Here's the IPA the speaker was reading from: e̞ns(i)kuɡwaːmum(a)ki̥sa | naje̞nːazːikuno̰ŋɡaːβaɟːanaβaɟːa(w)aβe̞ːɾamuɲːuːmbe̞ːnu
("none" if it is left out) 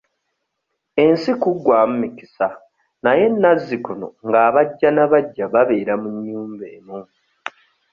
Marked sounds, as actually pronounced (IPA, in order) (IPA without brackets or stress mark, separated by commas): i, i, β